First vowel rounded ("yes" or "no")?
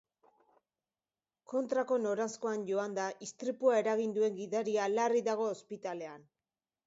yes